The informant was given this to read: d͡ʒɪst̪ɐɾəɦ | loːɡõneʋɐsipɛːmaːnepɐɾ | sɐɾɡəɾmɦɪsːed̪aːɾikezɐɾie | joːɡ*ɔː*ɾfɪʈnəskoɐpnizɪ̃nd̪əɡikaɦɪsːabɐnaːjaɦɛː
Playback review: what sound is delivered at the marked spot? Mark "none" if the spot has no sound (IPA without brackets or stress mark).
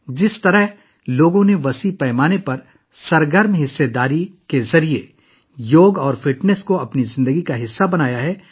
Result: ɔː